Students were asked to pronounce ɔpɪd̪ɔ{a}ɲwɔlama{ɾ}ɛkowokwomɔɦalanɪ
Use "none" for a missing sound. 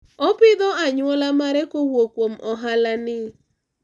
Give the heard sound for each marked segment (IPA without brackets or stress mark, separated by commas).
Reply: a, ɾ